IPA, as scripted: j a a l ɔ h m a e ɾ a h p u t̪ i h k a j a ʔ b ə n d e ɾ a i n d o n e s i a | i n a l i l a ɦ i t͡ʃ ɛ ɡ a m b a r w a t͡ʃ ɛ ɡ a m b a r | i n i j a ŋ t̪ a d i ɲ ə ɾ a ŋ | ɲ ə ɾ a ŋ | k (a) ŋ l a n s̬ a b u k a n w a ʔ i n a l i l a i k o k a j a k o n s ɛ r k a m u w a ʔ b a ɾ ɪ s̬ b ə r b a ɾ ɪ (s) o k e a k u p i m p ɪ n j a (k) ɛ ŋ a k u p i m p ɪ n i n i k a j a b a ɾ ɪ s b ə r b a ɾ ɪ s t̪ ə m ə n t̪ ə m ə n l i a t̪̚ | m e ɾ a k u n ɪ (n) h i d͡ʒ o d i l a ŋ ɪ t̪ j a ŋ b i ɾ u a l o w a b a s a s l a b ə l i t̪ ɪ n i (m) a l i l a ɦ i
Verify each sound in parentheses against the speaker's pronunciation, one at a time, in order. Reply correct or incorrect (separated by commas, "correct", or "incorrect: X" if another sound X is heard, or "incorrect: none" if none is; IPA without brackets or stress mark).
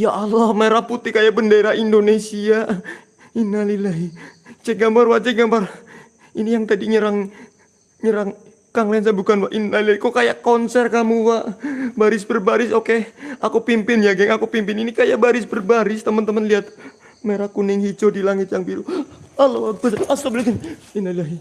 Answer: correct, correct, incorrect: ɡ, incorrect: ŋ, incorrect: n